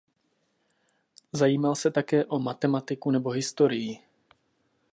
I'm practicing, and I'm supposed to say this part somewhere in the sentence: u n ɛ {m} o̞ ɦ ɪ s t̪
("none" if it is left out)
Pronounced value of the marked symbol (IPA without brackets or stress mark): b